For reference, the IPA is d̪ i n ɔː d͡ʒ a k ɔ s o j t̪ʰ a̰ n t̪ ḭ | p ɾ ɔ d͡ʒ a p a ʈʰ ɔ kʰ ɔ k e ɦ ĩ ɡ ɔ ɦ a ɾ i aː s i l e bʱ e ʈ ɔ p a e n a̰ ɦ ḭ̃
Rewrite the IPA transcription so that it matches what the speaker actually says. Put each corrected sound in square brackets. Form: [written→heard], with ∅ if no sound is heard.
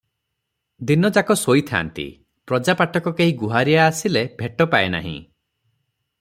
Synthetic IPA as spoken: d̪ i n [ɔː→ɔ] d͡ʒ a k ɔ s o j t̪ʰ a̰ n t̪ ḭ | p ɾ ɔ d͡ʒ a p a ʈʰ ɔ [kʰ→k] ɔ k e ɦ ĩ ɡ [ɔ→u] ɦ a ɾ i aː s i l e bʱ e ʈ ɔ p a e n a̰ ɦ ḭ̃